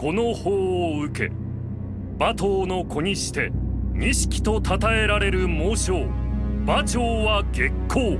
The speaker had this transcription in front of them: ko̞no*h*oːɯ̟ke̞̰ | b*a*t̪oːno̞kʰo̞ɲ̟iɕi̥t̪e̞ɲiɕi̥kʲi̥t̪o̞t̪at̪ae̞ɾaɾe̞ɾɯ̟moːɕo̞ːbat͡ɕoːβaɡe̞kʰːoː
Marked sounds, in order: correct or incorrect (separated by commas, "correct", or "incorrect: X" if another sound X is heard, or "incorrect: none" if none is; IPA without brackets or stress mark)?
correct, correct